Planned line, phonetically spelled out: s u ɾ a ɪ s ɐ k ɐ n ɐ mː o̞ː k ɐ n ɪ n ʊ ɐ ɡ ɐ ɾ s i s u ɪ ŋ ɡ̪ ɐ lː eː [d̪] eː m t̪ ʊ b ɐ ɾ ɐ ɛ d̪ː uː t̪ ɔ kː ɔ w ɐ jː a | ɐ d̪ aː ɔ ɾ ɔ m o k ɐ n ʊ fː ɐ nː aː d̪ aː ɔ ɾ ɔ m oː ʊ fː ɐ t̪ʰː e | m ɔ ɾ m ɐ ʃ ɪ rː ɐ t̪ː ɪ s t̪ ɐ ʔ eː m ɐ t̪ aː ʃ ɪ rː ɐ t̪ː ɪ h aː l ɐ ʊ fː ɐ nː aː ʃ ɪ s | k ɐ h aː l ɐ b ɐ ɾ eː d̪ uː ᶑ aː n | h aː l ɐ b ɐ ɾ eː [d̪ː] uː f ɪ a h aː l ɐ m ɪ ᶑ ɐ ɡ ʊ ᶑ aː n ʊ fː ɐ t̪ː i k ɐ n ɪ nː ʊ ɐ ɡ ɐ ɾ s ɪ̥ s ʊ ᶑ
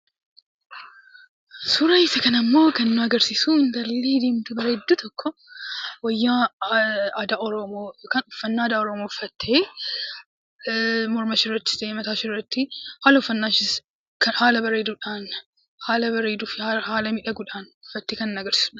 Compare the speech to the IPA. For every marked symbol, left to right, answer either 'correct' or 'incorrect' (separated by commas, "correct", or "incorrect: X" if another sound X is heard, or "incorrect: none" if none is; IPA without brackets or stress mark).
correct, incorrect: d̪